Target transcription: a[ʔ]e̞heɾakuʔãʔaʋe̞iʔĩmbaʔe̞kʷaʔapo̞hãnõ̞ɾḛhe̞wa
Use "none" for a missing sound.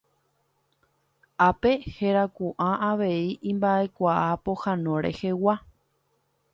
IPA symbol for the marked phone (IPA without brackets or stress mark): p